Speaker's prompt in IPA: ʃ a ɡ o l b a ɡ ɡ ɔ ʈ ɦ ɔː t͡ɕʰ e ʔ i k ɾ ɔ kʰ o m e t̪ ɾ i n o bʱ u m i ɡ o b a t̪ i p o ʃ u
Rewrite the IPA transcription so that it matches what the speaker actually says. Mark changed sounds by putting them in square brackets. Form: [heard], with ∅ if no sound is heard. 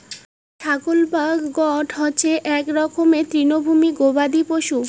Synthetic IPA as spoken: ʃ a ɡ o l b a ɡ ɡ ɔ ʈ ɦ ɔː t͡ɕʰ e ʔ [ɛ] k ɾ ɔ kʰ o m e t̪ ɾ i n o bʱ u m i ɡ o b a [d̪] i p o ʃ u